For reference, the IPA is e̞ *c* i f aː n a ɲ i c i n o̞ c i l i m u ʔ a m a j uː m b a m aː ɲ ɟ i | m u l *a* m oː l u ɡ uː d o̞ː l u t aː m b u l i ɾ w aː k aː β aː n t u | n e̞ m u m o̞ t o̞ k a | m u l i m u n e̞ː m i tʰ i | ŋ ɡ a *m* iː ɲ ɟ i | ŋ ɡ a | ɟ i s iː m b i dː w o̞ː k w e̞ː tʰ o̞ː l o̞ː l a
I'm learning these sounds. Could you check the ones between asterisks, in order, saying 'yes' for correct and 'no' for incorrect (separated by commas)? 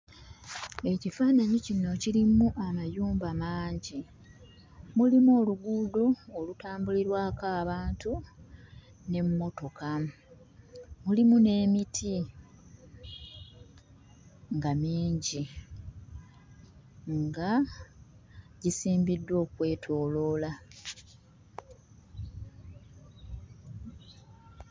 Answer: yes, no, yes